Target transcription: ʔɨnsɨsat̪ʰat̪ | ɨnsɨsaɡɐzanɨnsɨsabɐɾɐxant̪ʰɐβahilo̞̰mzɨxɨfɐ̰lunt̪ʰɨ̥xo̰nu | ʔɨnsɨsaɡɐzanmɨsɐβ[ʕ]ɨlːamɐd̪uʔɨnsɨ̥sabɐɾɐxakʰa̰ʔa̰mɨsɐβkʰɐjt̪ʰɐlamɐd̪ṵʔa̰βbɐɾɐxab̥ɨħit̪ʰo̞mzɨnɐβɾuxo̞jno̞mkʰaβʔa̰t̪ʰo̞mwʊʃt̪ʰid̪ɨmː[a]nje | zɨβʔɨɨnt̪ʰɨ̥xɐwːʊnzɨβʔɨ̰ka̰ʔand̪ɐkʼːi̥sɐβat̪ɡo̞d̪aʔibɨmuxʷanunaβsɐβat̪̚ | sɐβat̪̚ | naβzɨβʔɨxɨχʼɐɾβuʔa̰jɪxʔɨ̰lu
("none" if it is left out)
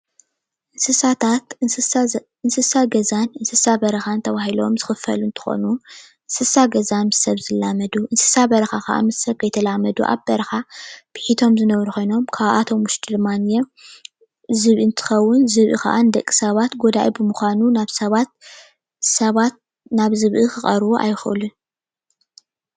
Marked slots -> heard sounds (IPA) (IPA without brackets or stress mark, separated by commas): z, a